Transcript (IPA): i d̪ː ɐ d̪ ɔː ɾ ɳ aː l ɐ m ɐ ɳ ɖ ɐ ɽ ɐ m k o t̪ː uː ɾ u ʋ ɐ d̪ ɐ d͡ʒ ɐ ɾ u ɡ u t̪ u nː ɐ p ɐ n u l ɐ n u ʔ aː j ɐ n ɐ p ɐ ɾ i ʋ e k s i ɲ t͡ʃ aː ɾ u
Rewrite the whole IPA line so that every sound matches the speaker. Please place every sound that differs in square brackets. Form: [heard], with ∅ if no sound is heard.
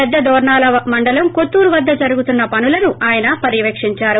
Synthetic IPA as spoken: [ɛ] d̪ː ɐ d̪ ɔː ɾ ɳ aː l ɐ m ɐ ɳ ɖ ɐ [l] ɐ m k o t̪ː uː ɾ u ʋ ɐ [d̪ː] ɐ d͡ʒ ɐ ɾ u ɡ u t̪ u nː ɐ p ɐ n u l ɐ n u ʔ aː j ɐ n ɐ p ɐ ɾ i ʋ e k [ʂ] i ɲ t͡ʃ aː ɾ u